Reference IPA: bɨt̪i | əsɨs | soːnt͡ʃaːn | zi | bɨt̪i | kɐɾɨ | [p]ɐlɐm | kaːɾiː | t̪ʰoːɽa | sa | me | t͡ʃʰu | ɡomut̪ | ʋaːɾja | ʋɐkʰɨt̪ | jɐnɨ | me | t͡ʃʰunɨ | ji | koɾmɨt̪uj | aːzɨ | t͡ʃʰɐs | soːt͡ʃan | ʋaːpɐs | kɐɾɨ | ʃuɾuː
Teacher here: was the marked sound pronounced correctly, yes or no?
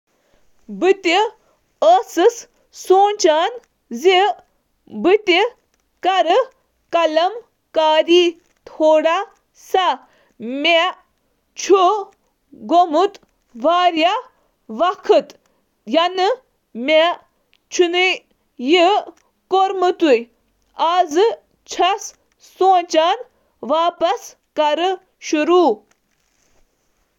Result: no